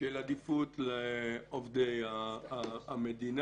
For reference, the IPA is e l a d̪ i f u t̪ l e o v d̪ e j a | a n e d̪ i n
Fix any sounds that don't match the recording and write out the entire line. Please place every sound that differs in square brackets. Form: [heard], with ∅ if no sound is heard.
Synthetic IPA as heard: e l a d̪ i f u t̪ l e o v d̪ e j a | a [m] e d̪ i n